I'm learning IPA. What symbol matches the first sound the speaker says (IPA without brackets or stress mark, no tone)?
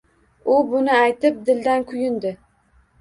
ʊ